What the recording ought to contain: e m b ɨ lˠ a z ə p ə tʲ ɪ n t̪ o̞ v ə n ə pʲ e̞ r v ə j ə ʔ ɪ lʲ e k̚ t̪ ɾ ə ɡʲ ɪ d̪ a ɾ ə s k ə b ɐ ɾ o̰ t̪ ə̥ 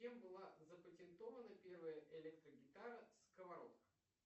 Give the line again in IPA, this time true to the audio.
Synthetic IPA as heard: e m b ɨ lˠ a z ə p ə tʲ ɪ n t̪ o̞ v ə n ə pʲ e̞ r v ə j ə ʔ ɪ lʲ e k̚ t̪ ɾ ə ɡʲ ɪ t̪ a ɾ ə s k ə v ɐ ɾ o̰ t̪ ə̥